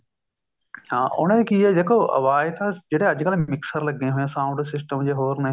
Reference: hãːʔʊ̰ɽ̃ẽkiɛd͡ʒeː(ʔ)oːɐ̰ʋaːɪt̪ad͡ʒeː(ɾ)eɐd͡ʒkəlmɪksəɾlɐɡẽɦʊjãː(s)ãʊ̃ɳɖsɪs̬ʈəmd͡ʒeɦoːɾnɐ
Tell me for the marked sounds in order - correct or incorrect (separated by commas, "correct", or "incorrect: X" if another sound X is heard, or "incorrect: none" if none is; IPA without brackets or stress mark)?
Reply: incorrect: k, incorrect: ɽ, correct